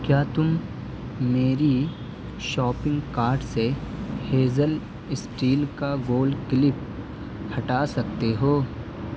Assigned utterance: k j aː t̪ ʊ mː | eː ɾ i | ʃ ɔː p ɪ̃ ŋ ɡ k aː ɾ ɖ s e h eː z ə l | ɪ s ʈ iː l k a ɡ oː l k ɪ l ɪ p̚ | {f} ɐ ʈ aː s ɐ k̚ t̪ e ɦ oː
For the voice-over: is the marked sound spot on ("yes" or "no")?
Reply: no